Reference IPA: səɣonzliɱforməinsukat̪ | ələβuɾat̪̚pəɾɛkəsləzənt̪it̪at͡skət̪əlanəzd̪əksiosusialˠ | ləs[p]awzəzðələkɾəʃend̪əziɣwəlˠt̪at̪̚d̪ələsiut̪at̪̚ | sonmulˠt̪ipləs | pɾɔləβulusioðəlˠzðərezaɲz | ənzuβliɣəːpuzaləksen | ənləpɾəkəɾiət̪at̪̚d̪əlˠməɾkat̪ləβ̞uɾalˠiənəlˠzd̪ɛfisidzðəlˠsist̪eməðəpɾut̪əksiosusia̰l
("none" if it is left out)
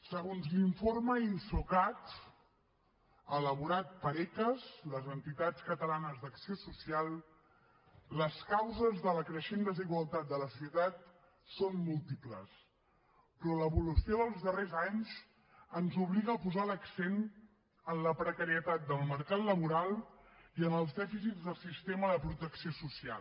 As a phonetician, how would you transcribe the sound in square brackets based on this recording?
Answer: k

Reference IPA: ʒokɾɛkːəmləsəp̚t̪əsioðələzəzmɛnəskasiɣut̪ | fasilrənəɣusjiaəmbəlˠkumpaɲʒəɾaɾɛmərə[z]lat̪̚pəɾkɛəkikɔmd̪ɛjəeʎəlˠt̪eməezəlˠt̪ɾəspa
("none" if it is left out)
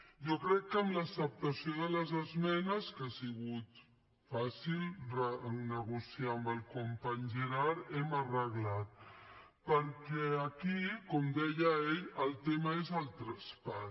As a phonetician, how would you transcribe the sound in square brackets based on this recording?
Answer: ɣ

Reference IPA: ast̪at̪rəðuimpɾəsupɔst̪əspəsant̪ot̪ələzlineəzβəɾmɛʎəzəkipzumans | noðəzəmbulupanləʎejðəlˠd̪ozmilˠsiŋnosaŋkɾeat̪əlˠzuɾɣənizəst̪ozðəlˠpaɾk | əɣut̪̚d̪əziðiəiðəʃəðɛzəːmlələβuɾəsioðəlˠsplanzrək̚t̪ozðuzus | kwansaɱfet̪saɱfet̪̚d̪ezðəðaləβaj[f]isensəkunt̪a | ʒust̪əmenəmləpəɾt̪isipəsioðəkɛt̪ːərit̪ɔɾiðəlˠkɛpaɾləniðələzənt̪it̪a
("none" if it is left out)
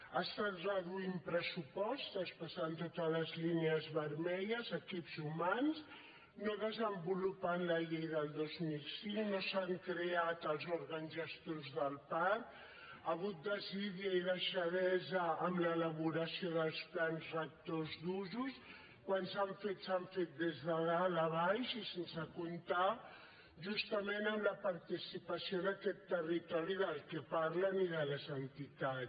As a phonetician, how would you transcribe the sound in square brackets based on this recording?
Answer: ʃ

